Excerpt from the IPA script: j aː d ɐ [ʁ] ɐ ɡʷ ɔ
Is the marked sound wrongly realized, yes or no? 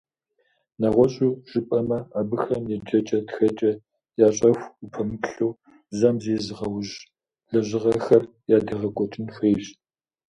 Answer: no